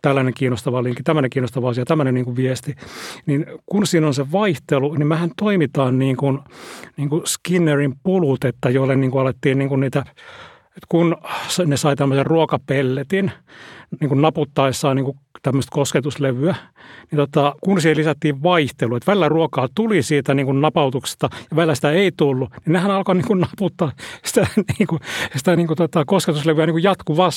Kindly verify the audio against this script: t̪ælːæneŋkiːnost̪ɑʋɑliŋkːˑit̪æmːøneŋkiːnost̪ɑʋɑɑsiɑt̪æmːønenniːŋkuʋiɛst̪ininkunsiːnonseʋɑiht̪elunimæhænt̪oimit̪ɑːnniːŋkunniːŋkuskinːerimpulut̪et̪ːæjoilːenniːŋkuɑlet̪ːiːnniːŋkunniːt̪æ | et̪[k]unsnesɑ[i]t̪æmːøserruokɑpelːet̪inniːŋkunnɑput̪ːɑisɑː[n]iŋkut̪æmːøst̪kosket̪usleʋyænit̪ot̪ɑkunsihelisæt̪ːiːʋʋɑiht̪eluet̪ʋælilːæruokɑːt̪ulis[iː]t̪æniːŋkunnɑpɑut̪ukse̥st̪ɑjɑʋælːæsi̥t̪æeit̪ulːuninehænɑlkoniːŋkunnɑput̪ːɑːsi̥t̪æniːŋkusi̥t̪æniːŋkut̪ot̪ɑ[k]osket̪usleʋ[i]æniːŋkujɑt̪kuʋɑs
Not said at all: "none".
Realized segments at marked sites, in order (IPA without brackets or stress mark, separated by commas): k, i, n, iː, k, y